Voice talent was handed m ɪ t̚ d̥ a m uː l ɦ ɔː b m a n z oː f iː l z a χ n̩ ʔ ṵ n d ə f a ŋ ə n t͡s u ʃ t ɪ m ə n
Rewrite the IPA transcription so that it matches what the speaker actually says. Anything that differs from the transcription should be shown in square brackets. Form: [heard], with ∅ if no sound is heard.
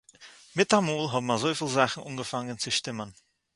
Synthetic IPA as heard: m ɪ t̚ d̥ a m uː l ɦ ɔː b m a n z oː f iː l z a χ n̩ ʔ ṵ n [ɡ] ə f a ŋ ə n t͡s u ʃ t ɪ m ə n